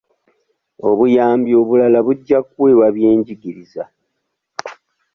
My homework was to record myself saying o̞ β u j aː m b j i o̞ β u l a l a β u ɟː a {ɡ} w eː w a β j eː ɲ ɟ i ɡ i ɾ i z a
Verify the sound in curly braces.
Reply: incorrect: k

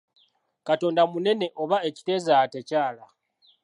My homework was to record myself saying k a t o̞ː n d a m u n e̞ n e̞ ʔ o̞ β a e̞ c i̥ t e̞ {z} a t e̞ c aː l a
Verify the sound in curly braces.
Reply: correct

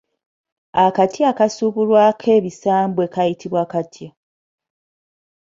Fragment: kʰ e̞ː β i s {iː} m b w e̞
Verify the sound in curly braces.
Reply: incorrect: aː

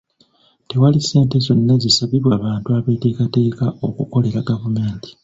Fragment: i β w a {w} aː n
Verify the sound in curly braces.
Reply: incorrect: β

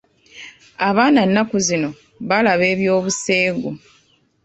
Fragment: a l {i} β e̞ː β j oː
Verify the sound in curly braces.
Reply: incorrect: a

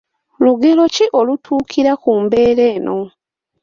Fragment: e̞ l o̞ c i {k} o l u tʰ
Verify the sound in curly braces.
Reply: incorrect: ʔ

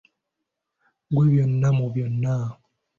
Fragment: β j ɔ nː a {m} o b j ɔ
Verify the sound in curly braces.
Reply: correct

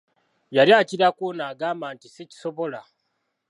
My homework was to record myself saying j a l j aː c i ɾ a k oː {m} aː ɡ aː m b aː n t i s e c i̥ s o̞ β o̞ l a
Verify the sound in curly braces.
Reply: incorrect: n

